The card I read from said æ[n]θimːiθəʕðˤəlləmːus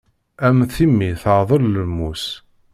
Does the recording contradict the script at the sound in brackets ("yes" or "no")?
yes